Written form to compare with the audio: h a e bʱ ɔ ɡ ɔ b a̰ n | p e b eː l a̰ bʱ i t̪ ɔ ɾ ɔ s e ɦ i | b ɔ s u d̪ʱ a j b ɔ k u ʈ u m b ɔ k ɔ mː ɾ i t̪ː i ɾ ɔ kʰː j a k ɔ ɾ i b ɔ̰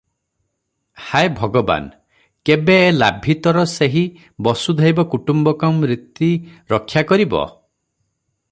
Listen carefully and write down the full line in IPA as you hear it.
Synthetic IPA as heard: h a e bʱ ɔ ɡ ɔ b a̰ n | k e b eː l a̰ bʱ i t̪ ɔ ɾ ɔ s e ɦ i | b ɔ s u d̪ʱ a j b ɔ k u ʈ u m b ɔ k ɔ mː ɾ i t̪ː i ɾ ɔ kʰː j a k ɔ ɾ i b ɔ̰

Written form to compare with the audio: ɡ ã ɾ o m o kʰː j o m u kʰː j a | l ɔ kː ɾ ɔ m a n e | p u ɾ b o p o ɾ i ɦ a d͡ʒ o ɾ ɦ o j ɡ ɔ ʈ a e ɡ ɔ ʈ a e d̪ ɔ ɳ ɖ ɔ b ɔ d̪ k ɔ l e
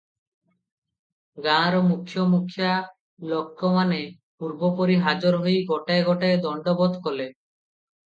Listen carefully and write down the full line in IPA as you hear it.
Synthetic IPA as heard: ɡ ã ɾ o m u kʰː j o m u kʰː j a | l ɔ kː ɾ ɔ m a n e | p u ɾ b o p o ɾ i ɦ a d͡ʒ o ɾ ɦ o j ɡ ɔ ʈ a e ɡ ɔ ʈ a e d̪ ɔ ɳ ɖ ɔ b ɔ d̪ k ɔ l e

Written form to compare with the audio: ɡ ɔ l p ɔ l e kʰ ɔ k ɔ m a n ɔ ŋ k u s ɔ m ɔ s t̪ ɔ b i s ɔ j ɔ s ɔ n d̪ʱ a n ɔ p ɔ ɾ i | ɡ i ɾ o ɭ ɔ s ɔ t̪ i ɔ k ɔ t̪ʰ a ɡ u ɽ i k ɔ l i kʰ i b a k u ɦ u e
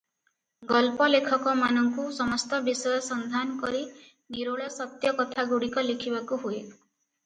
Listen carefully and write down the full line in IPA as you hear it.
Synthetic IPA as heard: ɡ ɔ l p ɔ l e kʰ ɔ k ɔ m a n ɔ ŋ k u s ɔ m ɔ s t̪ ɔ b i s ɔ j ɔ s ɔ n d̪ʱ a n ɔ k ɔ ɾ i | ɡ i ɾ o ɭ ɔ s ɔ t̪ j ɔ k ɔ t̪ʰ a ɡ u ɽ i k ɔ l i kʰ i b a k u ɦ u e

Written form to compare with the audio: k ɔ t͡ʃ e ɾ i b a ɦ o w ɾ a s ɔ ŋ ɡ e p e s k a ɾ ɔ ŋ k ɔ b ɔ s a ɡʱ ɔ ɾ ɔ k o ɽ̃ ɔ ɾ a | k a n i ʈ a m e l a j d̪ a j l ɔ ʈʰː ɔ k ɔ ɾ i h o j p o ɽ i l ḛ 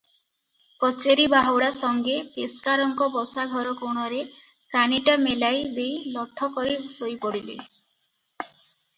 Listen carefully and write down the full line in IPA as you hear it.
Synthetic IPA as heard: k ɔ t͡ʃ e ɾ i b a ɦ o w ɽ a s ɔ ŋ ɡ e p e s k a ɾ ɔ ŋ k ɔ b ɔ s a ɡʱ ɔ ɾ ɔ k o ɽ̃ ɔ ɾ e | k a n i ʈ a m e l a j d̪ e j l ɔ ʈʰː ɔ k ɔ ɾ i s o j p ɔ ɽ i l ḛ

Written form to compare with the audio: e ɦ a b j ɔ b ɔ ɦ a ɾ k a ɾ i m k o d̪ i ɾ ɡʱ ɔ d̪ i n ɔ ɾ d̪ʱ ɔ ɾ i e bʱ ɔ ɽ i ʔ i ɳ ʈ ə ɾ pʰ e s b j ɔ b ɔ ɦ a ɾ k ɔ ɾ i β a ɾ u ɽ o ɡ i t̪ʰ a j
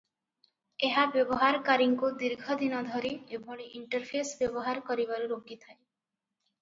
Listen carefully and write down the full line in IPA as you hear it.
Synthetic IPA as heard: e ɦ a b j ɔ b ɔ ɦ a ɾ k a ɾ i ŋ k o d̪ i ɾ ɡʱ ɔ d̪ i n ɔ d̪ʱ ɔ ɾ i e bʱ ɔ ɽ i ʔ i ɳ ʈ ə ɾ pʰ e s b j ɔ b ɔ ɦ a ɾ k ɔ ɾ i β a ɾ u ɾ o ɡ i t̪ʰ a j

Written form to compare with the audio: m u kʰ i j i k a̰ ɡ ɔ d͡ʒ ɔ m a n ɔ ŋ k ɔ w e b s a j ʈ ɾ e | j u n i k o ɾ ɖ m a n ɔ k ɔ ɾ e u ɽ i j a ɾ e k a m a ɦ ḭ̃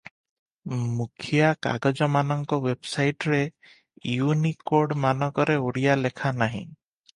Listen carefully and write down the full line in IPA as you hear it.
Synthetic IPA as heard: m u kʰ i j a k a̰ ɡ ɔ d͡ʒ ɔ m a n ɔ ŋ k ɔ w e b s a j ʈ ɾ e | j u n i k o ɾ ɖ m a n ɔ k ɔ ɾ e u ɽ i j a l e kʰ a n a ɦ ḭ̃

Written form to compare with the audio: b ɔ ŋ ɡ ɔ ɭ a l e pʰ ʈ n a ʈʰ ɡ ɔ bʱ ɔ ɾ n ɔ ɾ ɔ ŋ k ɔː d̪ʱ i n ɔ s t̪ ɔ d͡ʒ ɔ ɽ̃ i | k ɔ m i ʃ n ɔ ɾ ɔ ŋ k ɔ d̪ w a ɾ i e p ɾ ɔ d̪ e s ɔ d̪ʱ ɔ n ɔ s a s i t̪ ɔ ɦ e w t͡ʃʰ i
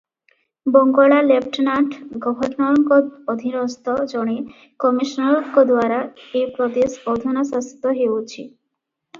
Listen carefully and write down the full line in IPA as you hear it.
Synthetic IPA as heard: b ɔ ŋ ɡ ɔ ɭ a l e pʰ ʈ n a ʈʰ ɡ ɔ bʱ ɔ ɾ n ɔ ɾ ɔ ŋ k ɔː d̪ʱ i n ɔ s t̪ ɔ d͡ʒ ɔ ɽ̃ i | k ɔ m i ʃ n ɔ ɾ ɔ ŋ k ɔ d̪ w a ɾ a e p ɾ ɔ d̪ e s ɔ d̪ʱ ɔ n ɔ s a s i t̪ ɔ ɦ e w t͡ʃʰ i

